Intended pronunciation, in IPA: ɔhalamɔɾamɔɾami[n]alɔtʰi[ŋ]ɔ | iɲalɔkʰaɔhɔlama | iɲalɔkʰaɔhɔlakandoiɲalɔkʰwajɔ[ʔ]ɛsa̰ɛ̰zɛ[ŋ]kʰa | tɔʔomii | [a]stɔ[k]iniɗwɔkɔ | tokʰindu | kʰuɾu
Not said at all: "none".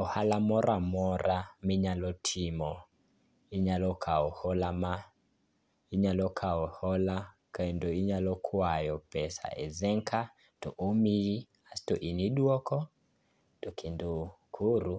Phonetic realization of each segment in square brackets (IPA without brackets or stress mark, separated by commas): ɲ, m, p, ŋ, a, ʔ